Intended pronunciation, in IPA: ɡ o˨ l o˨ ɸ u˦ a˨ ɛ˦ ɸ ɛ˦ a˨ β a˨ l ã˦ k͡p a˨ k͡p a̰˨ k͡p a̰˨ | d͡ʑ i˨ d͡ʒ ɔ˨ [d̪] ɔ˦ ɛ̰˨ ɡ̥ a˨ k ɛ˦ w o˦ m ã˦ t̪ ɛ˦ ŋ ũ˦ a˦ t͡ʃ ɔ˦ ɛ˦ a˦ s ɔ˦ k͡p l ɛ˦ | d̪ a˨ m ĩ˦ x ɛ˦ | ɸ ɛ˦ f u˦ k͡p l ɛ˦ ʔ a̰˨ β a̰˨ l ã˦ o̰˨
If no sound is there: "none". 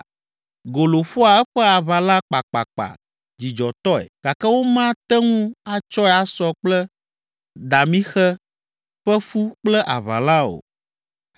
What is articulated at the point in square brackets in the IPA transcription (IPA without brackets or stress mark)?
t̪